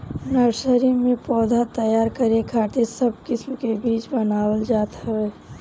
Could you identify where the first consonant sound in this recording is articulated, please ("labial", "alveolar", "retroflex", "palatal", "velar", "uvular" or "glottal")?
alveolar